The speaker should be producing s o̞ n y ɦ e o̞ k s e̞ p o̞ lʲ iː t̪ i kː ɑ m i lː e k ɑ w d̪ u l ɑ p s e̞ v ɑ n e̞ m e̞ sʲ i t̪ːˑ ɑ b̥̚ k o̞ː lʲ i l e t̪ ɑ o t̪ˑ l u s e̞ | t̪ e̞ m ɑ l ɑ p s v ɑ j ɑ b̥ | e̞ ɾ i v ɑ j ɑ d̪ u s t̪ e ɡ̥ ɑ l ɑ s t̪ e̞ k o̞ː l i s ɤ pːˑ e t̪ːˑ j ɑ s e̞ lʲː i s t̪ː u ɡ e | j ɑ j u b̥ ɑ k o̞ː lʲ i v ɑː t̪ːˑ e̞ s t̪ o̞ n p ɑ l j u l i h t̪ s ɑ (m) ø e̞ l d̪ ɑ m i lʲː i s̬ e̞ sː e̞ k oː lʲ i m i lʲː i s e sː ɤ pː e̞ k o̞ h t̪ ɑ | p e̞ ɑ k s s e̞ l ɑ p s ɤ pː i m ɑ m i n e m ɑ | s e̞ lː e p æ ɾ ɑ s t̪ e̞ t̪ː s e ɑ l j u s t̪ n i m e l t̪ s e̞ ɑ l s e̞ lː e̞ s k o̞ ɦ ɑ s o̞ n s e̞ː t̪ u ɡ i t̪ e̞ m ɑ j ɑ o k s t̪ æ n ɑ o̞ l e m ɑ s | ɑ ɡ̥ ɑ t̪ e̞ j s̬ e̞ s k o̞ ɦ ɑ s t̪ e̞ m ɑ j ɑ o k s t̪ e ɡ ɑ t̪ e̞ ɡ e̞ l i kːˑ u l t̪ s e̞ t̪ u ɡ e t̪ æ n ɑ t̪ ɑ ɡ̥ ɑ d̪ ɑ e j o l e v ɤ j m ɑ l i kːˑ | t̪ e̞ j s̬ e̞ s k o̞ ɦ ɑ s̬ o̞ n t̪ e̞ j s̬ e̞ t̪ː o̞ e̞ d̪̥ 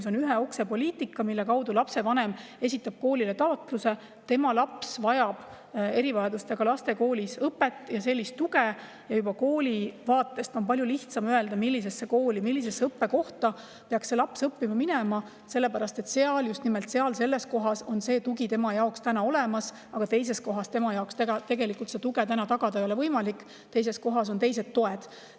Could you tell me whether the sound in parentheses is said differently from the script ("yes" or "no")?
no